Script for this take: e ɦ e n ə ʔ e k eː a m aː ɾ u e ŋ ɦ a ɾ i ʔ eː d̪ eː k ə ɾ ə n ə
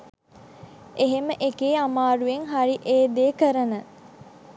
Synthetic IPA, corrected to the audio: e ɦ e m ə ʔ e k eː a m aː ɾ u e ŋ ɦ a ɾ i ʔ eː d̪ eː k ə ɾ ə n ə